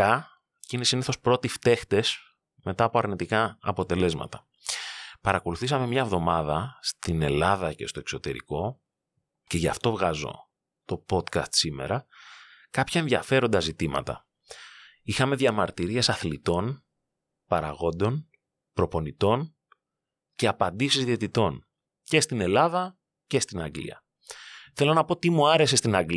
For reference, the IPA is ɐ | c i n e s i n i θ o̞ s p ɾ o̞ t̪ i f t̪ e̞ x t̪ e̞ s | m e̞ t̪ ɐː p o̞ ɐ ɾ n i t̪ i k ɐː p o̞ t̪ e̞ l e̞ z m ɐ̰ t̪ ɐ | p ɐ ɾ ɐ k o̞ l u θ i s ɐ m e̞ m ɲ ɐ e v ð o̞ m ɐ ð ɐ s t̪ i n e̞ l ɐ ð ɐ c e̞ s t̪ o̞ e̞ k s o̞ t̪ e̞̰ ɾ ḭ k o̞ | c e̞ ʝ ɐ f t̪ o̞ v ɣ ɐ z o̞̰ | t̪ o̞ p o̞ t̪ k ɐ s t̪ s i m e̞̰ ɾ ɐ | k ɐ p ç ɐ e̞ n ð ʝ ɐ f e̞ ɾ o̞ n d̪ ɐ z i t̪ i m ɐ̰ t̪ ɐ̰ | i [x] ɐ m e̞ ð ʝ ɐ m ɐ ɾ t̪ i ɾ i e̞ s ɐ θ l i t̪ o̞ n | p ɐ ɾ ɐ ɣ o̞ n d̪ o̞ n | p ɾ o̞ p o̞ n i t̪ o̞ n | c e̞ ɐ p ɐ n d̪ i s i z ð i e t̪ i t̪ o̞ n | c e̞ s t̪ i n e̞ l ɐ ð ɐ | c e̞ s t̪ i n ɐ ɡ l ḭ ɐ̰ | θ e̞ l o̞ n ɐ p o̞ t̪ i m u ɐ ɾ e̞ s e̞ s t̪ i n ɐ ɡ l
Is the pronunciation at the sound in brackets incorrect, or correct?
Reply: correct